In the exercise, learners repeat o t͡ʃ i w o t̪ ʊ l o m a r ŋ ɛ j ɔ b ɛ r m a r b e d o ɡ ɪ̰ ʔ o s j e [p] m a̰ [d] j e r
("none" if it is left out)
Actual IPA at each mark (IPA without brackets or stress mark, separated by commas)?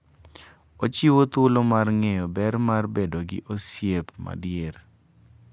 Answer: p, d